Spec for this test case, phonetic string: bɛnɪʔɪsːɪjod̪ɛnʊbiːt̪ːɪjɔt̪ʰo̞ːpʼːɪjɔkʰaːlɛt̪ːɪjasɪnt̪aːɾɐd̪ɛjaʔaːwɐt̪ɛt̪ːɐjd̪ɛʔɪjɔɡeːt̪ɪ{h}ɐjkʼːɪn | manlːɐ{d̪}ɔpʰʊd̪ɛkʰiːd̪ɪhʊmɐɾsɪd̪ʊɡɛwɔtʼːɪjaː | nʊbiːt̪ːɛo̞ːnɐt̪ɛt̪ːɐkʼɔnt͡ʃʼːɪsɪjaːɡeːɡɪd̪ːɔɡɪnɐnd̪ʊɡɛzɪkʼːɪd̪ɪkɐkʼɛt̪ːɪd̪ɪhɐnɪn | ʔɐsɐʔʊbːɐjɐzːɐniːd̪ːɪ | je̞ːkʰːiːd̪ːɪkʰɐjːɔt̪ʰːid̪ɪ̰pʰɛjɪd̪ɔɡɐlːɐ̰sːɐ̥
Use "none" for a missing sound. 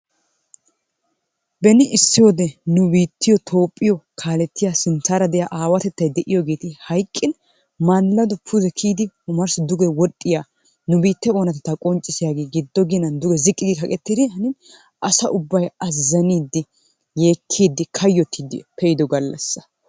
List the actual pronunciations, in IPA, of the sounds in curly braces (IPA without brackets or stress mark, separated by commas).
h, d̪